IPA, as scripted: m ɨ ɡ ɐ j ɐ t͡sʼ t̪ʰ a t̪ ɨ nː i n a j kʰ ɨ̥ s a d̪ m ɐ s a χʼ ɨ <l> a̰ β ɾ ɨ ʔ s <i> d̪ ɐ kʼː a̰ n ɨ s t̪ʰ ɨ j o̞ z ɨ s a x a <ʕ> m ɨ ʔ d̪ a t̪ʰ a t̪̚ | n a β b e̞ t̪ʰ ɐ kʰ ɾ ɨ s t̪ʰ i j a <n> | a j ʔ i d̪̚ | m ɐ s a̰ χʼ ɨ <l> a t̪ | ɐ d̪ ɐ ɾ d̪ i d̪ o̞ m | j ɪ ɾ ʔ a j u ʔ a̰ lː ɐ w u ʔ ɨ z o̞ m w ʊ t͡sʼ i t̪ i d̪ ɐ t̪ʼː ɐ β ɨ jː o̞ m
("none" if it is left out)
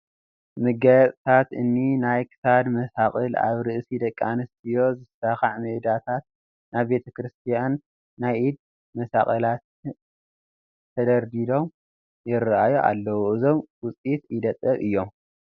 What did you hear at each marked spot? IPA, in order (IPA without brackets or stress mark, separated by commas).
l, i, ʕ, nː, l